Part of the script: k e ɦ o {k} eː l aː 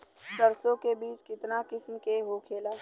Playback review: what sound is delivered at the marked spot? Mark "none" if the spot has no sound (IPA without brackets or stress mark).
kʰ